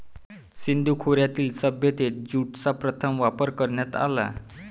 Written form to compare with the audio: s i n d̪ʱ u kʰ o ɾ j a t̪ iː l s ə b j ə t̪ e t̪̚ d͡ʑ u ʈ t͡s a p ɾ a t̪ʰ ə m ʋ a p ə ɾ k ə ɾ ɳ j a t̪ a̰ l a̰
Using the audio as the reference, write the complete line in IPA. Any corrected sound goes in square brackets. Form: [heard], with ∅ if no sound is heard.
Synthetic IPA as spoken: s i n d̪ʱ u kʰ o ɾ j a t̪ iː l s ə b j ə t̪ e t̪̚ d͡ʑ u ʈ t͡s a p ɾ [ə] t̪ʰ ə m ʋ a p ə ɾ k ə ɾ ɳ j a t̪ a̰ l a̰